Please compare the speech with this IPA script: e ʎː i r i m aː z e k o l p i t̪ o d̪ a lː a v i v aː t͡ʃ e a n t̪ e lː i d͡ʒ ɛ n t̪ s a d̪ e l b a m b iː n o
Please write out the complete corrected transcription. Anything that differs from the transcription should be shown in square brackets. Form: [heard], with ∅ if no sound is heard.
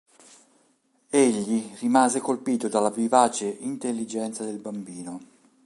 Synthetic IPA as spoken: e ʎː i r i m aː z e k o l p [iː] t̪ o d̪ a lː a v i v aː t͡ʃ e [i] n t̪ e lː i d͡ʒ ɛ n t̪ s a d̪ e l b a m b iː n o